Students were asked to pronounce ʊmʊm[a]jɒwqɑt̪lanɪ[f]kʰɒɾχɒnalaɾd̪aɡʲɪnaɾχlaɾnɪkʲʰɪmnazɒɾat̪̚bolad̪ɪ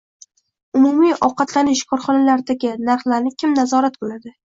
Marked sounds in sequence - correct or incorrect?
incorrect: i, incorrect: ʃ

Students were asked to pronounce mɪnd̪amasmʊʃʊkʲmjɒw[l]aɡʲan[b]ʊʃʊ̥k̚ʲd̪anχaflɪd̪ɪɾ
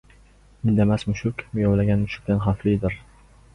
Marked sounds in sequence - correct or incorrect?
correct, incorrect: m

